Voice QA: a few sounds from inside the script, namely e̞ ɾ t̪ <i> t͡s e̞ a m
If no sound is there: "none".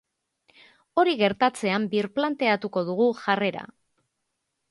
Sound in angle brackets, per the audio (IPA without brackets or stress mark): a